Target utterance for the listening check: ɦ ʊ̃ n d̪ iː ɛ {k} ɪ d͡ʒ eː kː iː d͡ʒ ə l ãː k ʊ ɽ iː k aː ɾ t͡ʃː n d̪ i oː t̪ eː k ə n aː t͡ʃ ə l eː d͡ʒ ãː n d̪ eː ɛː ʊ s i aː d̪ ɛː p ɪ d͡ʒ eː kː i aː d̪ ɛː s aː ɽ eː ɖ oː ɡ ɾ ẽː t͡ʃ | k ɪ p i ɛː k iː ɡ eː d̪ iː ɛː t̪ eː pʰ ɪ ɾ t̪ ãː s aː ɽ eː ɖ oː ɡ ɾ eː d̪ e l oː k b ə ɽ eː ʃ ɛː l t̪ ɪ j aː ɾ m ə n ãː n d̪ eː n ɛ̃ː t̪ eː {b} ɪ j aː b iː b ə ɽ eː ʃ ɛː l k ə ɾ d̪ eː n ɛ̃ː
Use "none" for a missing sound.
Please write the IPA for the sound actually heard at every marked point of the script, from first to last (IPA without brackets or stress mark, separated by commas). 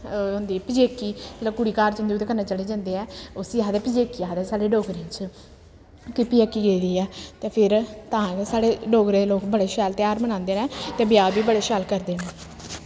p, b